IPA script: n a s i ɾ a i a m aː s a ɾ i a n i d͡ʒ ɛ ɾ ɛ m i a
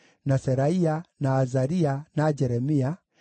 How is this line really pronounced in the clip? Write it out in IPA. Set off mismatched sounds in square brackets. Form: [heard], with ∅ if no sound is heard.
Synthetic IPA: n a s [ɛ] ɾ a i a [n] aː [z] a ɾ i a n [a] d͡ʒ ɛ ɾ ɛ m i a